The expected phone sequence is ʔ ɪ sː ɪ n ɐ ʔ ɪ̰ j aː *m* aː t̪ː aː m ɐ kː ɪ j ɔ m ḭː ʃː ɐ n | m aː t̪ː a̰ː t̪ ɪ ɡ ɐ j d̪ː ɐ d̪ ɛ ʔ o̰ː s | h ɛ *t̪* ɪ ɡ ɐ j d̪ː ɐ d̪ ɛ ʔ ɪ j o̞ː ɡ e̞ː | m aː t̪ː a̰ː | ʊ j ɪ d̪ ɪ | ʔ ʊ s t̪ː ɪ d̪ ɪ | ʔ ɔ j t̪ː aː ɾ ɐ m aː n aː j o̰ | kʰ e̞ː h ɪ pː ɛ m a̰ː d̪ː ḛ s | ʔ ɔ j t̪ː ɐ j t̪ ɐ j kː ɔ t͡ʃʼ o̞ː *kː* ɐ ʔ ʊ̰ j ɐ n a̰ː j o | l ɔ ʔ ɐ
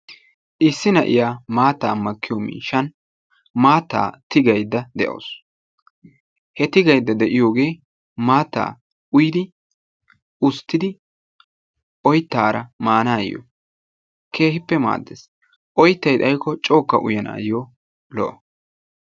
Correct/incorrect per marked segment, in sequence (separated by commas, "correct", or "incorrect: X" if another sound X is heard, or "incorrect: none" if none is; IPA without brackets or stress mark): correct, correct, correct